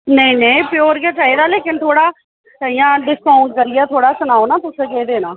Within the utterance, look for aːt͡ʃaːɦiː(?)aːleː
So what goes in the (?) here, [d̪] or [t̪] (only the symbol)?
d̪